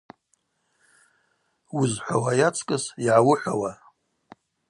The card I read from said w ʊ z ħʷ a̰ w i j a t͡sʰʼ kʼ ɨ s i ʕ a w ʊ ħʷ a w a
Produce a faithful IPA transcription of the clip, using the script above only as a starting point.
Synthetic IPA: w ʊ z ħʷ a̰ w a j a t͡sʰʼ kʼ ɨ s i ʕ a w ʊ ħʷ a w a